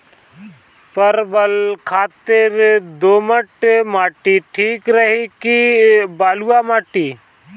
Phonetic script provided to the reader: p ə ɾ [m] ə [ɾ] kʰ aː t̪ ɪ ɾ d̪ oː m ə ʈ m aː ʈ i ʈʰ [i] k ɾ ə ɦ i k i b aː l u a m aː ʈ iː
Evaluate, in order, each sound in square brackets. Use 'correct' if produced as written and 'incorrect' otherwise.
incorrect: b, incorrect: l, incorrect: iː

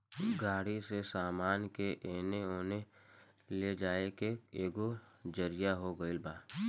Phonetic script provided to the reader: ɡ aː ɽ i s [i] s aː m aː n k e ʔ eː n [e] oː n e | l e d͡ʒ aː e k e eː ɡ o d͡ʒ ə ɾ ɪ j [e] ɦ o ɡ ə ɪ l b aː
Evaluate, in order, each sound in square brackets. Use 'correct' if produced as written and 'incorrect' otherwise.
incorrect: e, correct, incorrect: a

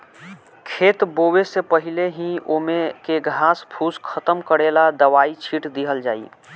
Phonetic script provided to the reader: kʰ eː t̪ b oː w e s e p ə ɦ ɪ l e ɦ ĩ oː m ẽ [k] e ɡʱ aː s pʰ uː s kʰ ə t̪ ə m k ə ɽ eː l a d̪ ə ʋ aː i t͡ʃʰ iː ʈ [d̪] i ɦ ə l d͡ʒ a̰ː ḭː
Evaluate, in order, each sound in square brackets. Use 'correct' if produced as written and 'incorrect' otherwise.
correct, correct

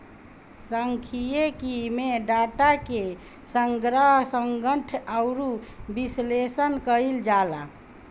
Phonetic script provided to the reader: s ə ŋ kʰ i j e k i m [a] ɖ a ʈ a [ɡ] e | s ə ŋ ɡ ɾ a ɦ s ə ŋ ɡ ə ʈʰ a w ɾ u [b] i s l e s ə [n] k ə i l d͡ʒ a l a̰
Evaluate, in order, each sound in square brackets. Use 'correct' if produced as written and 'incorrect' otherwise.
incorrect: e, incorrect: k, correct, correct

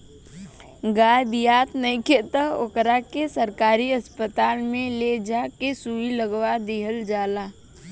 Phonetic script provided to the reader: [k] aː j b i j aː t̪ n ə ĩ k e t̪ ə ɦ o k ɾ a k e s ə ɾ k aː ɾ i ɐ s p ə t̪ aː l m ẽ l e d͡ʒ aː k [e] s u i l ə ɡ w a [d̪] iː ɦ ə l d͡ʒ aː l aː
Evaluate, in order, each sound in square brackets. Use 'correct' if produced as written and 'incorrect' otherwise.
incorrect: ɡ, correct, correct

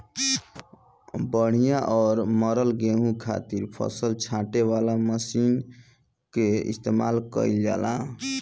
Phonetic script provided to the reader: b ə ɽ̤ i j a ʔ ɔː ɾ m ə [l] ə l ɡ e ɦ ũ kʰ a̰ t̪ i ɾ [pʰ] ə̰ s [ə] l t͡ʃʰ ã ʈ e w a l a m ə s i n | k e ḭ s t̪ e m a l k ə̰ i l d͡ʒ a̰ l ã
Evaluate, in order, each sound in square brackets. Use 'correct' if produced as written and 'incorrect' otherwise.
incorrect: ɾ, correct, correct

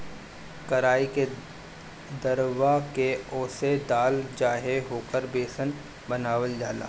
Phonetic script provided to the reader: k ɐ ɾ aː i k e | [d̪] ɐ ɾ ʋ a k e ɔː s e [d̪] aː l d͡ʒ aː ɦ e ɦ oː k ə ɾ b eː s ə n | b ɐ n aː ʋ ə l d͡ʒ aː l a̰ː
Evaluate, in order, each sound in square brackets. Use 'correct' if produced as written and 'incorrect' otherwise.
correct, correct

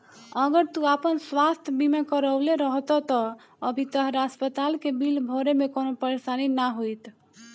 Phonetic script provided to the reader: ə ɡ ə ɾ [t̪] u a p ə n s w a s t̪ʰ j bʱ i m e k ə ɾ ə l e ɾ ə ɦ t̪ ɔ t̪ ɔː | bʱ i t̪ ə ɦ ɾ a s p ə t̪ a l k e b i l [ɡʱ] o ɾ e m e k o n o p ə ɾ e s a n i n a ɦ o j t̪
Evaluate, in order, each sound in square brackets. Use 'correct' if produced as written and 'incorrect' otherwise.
correct, incorrect: bʱ

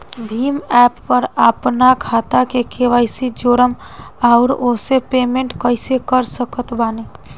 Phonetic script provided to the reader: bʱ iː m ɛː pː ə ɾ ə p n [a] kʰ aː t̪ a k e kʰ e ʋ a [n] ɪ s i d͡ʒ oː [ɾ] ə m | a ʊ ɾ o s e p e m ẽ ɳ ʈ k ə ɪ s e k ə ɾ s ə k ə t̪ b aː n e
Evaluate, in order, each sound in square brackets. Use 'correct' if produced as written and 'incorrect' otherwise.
correct, incorrect: none, correct

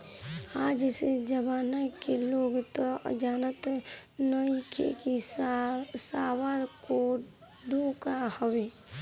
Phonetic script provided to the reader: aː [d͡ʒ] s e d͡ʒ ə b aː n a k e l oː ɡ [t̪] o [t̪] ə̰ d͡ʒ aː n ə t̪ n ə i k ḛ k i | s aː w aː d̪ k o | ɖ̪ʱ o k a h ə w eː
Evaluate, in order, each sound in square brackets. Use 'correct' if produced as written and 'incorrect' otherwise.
correct, correct, incorrect: none

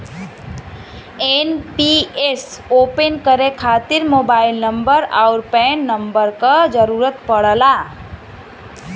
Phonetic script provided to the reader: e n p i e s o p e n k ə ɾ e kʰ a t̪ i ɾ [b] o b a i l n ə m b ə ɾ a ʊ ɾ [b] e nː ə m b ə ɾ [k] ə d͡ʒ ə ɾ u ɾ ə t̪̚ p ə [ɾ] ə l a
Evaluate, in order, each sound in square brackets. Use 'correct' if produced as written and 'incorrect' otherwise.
incorrect: m, incorrect: p, correct, incorrect: ɽ

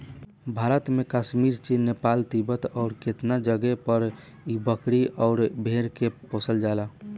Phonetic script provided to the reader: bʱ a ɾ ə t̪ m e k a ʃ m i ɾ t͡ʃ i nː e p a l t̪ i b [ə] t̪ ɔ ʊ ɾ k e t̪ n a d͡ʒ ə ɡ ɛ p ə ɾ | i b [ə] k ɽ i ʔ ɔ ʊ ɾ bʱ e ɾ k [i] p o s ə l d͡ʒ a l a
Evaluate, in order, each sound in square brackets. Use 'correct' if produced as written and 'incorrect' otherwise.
correct, correct, incorrect: e

